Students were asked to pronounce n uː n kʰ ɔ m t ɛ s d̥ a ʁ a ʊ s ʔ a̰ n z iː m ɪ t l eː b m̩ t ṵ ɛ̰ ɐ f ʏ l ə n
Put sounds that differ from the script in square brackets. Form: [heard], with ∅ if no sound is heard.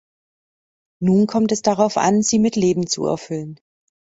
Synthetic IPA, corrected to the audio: n uː n kʰ ɔ m t ɛ s d̥ a ʁ a ʊ [f] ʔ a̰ n z iː m ɪ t l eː b m̩ [t͡s] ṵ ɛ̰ ɐ f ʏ l ə n